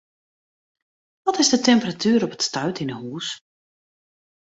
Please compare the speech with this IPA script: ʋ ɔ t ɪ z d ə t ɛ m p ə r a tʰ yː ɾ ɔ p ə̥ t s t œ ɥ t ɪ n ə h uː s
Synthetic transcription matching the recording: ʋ ɔ t ɪ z d ə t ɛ m p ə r a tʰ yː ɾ ɔ p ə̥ t s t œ ɥ t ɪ n ə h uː s